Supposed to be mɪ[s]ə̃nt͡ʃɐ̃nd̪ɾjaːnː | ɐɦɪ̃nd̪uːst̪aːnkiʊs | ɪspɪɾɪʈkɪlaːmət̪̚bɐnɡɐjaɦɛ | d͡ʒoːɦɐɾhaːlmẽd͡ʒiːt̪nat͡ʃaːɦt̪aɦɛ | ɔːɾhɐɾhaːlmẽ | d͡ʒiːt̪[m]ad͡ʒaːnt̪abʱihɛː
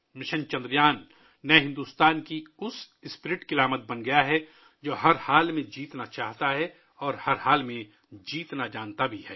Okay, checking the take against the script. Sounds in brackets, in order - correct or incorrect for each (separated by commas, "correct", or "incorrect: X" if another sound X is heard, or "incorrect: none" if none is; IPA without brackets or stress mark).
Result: incorrect: ʃ, incorrect: n